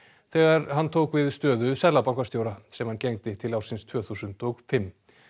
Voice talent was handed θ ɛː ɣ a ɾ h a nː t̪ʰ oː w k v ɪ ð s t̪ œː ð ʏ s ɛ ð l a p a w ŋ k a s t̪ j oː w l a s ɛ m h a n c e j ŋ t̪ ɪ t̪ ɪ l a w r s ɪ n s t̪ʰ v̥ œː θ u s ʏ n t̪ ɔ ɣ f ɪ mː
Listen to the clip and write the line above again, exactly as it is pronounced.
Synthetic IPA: θ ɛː ɣ a ɾ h a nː t̪ʰ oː w k v ɪ ð s t̪ œː ð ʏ s ɛ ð l a p a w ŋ k a s t̪ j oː w ɾ a s ɛ m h a n c e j ŋ t̪ ɪ t̪ʰ ɪ l a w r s ɪ n s t̪ʰ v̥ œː θ u s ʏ n t̪ ɔ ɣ f ɪ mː